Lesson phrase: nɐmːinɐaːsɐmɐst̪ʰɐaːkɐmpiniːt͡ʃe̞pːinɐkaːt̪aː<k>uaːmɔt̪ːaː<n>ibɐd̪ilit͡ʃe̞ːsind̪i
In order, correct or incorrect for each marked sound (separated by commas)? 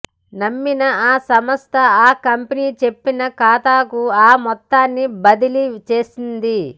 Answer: correct, incorrect